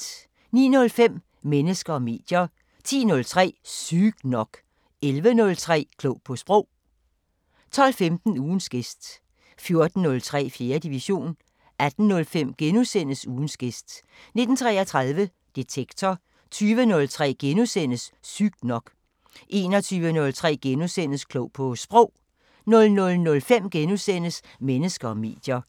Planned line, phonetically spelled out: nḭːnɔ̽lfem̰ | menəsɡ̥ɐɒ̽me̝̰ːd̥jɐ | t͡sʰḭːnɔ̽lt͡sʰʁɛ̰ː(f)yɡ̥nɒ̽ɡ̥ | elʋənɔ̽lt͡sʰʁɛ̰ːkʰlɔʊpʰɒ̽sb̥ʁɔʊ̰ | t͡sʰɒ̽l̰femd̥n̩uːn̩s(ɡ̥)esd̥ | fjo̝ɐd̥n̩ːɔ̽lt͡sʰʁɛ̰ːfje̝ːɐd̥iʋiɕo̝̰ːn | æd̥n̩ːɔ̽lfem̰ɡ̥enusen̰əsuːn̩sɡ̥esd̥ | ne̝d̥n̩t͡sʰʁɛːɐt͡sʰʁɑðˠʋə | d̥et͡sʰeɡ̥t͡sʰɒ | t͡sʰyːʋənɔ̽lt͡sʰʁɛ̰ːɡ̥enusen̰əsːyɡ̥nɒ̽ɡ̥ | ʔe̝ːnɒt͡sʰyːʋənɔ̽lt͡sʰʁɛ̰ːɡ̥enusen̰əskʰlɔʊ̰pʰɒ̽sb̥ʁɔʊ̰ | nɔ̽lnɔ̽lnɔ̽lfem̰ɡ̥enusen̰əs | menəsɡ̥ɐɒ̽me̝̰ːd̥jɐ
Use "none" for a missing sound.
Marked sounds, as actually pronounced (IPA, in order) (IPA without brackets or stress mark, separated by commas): s, ɡ̥